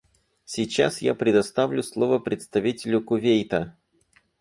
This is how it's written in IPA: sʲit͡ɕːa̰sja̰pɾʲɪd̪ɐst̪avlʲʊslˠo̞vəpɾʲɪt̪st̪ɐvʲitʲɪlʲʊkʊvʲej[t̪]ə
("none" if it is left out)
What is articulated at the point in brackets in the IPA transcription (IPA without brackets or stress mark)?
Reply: t̪